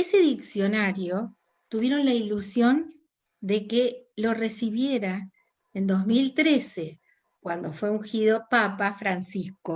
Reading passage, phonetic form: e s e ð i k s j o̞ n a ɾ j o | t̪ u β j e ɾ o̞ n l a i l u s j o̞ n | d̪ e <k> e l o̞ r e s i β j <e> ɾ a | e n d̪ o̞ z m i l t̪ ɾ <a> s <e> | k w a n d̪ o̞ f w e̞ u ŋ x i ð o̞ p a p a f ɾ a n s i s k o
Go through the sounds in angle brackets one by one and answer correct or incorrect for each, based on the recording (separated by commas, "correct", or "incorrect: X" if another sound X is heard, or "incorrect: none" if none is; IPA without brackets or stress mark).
correct, correct, incorrect: e, correct